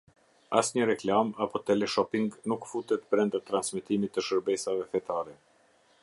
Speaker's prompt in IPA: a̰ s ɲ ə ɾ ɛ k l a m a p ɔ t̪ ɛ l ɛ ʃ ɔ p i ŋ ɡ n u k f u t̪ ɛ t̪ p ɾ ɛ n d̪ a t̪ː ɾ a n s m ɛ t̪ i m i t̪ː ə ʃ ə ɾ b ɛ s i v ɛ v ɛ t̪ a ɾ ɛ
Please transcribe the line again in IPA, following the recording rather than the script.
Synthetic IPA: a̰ s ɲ ə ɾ ɛ k l a m a p ɔ t̪ ɛ l ɛ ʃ ɔ p i ŋ ɡ n u k f u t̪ ɛ t̪ p ɾ ɛ n d̪ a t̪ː ɾ a n s m ɛ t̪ i m i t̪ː ə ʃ ə ɾ b ɛ s a v ɛ f ɛ t̪ a ɾ ɛ